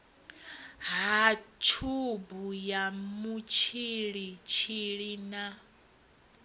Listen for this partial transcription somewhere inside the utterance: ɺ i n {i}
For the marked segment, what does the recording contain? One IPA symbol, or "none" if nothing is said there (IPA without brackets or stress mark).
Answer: a